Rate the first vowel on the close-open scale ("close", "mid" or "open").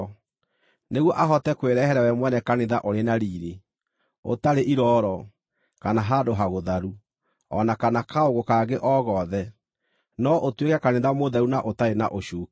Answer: mid